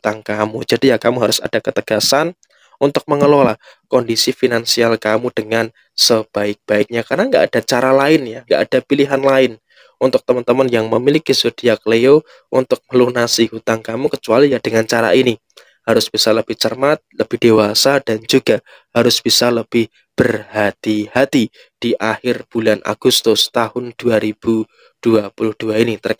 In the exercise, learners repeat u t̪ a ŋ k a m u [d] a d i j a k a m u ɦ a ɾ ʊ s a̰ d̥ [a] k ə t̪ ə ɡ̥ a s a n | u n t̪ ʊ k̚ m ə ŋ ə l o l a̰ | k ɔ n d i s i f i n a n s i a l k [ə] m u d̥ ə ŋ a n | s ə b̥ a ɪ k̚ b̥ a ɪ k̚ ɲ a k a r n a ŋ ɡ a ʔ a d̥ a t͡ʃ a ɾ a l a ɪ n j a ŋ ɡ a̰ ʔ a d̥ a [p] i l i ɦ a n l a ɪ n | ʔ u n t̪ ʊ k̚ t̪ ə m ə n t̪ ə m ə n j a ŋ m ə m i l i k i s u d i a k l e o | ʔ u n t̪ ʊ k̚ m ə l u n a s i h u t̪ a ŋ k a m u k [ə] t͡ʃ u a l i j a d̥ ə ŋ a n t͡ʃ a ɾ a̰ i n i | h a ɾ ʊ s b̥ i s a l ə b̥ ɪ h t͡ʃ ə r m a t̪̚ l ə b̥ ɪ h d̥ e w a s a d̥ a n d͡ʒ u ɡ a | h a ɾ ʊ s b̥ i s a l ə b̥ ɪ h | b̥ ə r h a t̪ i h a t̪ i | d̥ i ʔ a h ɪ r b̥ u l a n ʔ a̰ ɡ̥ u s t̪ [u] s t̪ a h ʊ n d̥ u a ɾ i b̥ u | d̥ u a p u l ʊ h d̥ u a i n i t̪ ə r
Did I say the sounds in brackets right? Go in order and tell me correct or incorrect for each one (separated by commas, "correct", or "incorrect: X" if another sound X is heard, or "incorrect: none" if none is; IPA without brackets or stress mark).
incorrect: d͡ʒ, correct, incorrect: a, correct, correct, incorrect: ʊ